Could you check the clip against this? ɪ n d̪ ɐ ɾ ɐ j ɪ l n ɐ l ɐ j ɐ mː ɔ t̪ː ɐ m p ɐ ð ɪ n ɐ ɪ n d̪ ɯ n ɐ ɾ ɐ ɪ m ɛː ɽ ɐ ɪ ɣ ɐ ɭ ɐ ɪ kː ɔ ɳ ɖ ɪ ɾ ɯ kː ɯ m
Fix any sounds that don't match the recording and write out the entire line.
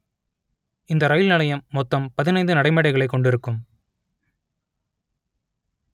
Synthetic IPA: ɪ n d̪ ɐ ɾ ɐ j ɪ l n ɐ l ɐ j ɐ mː ɔ t̪ː ɐ m p ɐ ð ɪ n ɐ ɪ n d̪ ɯ n ɐ ɽ ɐ ɪ m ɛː ɽ ɐ ɪ ɣ ɐ ɭ ɐ ɪ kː ɔ ɳ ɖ ɪ ɾ ɯ kː ɯ m